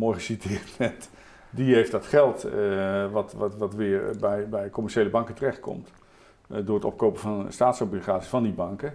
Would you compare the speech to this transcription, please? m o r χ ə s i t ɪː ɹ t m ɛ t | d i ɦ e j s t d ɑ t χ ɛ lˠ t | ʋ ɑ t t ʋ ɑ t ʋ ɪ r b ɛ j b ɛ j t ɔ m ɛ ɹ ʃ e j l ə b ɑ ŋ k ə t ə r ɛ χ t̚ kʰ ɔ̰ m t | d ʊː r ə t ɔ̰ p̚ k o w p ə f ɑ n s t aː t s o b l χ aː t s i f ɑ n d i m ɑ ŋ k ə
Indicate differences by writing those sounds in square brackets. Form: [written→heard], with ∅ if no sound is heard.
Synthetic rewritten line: m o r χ ə s i t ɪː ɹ t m ɛ t | d i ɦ e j [s→f] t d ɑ t χ ɛ lˠ t | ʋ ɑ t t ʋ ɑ t ʋ ɪ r b ɛ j b ɛ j [t→k] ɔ m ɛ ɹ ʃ e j l ə b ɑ ŋ k ə t ə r ɛ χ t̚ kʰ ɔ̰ m t | d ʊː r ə t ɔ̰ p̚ k o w p ə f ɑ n s t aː t s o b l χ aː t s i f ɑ n d i [m→b] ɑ ŋ k ə